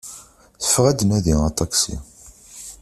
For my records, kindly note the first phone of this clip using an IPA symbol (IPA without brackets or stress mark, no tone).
θ